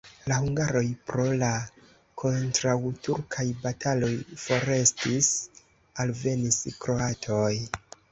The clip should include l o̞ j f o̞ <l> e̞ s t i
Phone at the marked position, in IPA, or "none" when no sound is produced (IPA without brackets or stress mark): ɾ